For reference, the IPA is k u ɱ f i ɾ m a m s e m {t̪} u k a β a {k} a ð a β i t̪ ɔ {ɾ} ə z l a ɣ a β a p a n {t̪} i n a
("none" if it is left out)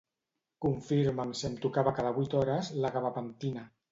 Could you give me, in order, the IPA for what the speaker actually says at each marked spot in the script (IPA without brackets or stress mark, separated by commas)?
t̪, k, ɾ, t̪